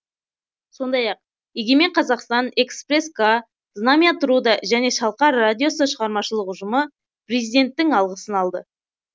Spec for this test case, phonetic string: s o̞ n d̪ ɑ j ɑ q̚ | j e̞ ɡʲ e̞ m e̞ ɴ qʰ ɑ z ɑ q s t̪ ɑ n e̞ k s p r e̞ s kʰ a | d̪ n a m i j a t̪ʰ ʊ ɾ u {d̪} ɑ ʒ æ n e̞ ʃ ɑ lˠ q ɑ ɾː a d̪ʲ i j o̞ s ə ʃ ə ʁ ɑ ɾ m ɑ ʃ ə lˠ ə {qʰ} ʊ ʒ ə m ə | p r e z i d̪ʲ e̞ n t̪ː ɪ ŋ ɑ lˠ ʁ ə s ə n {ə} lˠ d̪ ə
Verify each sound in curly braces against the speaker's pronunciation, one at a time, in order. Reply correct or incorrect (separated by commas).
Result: correct, incorrect, incorrect